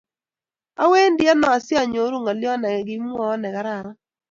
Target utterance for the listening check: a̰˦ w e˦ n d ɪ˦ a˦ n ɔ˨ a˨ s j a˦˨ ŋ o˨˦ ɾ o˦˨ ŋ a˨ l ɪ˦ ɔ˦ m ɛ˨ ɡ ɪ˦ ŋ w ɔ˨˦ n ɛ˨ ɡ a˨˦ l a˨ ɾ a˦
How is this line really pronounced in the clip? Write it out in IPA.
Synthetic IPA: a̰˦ w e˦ n d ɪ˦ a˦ n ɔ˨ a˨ s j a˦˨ ɲ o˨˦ ɾ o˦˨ ŋ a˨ l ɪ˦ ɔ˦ n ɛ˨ ɡ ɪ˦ m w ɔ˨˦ n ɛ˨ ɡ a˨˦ ɾ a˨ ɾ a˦